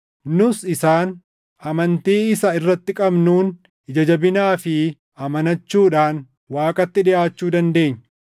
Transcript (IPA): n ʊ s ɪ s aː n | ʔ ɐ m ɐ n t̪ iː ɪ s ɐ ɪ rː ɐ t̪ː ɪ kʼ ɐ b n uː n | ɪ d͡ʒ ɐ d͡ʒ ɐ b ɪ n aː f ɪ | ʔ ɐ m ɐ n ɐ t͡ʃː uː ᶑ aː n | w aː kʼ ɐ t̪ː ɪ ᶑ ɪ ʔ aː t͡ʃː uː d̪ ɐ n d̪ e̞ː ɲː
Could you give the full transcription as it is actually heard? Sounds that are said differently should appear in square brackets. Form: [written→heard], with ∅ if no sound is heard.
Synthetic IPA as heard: n ʊ s ɪ s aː n | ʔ ɐ m ɐ n t̪ iː ɪ s ɐ ɪ rː ɐ t̪ː ɪ kʼ ɐ b n uː n | ɪ d͡ʒ ɐ d͡ʒ ɐ b ɪ n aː f ɪ | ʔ ɐ m ɐ n ɐ t͡ʃː uː ᶑ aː n | w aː kʼ ɐ t̪ː ɪ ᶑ ɪ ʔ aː t͡ʃː uː d̪ ɐ n d̪ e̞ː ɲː